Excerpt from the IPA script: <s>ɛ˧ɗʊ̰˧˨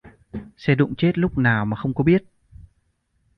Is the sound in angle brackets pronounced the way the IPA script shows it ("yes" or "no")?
yes